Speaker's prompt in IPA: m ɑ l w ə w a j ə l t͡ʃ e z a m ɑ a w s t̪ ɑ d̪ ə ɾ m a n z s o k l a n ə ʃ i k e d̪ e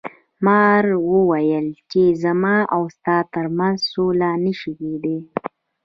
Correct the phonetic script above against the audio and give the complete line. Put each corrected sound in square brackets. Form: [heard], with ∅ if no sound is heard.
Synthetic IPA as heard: m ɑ [ɾ] w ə w a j ə l t͡ʃ e z a m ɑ a w s t̪ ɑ [t̪] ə ɾ m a n z s o [∅] l a n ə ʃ i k e d̪ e

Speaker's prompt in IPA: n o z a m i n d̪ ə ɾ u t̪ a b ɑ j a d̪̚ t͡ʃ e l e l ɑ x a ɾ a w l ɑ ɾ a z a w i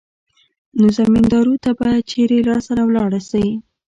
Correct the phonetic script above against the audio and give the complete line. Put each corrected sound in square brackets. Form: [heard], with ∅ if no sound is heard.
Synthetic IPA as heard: n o z a m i n d̪ [ɑ] ɾ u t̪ a b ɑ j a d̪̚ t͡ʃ e [ɾ] e l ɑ [s] a ɾ a w l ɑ [ɽ] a [s] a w i

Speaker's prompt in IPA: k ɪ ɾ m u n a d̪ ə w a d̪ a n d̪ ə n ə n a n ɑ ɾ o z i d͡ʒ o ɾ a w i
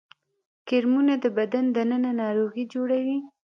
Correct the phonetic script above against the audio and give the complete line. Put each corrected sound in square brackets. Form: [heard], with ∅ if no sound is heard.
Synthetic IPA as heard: k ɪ ɾ m u n a d̪ ə [b] a d̪ a n d̪ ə n ə n a n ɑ ɾ o [ɣ] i d͡ʒ o [ɽ] a w i

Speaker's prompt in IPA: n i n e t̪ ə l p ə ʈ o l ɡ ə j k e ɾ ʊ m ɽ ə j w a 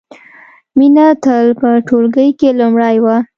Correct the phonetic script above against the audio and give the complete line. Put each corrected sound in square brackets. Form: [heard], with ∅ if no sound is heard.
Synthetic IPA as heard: [m] i n [a] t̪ ə l p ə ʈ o l ɡ ə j k e [l] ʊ m ɽ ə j w a

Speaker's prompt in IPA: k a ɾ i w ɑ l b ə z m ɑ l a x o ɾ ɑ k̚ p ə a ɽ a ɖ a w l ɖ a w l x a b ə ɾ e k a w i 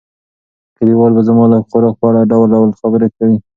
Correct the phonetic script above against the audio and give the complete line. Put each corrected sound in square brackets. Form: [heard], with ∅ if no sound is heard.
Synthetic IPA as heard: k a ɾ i w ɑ l b [a] z m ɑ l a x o ɾ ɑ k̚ p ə a ɽ a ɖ a w l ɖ a w l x a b ə ɾ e k a w i

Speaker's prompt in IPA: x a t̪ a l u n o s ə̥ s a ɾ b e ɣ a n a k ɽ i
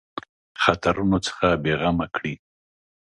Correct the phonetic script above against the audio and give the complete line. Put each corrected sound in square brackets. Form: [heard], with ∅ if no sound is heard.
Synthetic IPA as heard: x a t̪ a [ɾ] u n o [t͡s] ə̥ [x] a [∅] b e ɣ a [m] a k ɽ i

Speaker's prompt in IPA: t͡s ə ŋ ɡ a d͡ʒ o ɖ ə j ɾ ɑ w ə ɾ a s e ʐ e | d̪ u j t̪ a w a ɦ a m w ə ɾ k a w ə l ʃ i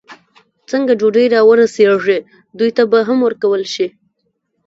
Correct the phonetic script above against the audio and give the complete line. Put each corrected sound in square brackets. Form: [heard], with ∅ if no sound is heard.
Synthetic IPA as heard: t͡s ə ŋ ɡ a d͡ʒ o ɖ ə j ɾ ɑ w ə ɾ a s e ʐ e | d̪ u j t̪ a [b] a ɦ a m w ə ɾ k a w ə l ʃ i

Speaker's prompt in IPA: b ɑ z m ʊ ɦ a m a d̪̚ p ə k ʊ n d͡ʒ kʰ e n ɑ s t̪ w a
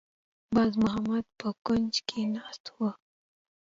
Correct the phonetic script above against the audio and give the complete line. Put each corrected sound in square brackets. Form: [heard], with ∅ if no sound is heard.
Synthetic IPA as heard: b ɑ z m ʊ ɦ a m a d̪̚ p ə k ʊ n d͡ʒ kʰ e n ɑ s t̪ w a

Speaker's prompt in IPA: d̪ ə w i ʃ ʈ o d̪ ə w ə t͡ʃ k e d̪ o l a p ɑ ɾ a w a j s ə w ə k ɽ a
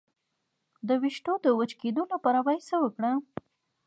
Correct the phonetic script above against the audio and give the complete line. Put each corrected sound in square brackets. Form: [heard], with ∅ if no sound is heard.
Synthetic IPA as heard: d̪ ə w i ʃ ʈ o d̪ ə w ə t͡ʃ k e d̪ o l a p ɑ ɾ a w a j s ə w ə k ɽ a

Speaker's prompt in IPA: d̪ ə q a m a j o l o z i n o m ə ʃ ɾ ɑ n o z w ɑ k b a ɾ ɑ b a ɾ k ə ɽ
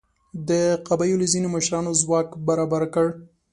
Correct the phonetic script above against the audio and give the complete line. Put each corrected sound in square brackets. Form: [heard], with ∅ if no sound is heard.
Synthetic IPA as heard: d̪ ə q a [b] a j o l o z i n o m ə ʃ ɾ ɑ n o z w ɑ k b a ɾ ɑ b a ɾ k ə ɽ

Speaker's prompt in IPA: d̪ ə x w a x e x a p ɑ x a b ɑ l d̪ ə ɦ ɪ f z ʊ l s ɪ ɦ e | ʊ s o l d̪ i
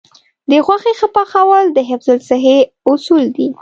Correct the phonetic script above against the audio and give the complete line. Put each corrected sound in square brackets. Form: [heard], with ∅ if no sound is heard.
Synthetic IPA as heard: d̪ ə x w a x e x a p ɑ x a [w] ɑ l d̪ ə ɦ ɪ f z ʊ l s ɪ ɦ e | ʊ s [u] l d̪ i

